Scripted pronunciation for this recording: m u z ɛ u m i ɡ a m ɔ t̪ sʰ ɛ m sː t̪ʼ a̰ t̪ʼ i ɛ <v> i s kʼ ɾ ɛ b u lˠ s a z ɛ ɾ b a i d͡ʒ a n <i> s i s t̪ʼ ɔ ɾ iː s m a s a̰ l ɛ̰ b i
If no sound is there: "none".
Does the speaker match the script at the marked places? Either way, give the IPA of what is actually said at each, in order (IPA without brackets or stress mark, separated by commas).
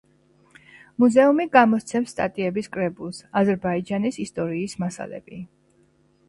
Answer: b, i